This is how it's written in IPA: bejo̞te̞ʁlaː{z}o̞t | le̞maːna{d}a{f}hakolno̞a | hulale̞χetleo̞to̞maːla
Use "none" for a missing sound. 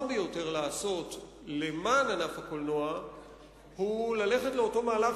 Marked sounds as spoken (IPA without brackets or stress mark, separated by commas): s, n, f